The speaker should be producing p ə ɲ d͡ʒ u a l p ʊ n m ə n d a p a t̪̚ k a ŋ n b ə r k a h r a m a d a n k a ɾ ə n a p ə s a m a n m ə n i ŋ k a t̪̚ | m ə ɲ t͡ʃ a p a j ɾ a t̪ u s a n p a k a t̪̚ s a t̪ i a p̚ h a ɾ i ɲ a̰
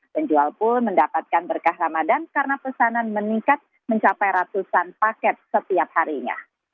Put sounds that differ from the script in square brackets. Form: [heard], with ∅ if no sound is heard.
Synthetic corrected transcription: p ə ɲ d͡ʒ u a l p ʊ n m ə n d a p a t̪̚ k a [∅] n b ə r k a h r a m a d a n k a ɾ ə n a p ə s a [n] a n m ə n i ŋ k a t̪̚ | m ə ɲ t͡ʃ a p a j ɾ a t̪ u s a n p a k [ɛ] t̪̚ s [ə] t̪ i a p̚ h a ɾ i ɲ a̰